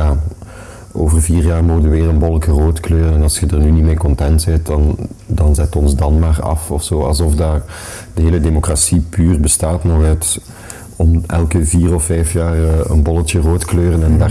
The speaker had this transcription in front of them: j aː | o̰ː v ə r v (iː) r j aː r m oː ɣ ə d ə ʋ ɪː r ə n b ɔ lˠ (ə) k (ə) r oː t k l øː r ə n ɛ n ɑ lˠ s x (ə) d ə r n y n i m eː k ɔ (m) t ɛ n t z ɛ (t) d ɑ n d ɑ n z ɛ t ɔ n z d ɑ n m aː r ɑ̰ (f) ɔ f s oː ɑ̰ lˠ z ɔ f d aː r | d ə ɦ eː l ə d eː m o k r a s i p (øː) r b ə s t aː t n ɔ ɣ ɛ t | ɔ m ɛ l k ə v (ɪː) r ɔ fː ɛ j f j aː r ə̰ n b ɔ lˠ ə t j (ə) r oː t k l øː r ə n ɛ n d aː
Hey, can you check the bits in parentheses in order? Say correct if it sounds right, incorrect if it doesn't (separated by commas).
correct, correct, correct, correct, incorrect, correct, correct, incorrect, incorrect, correct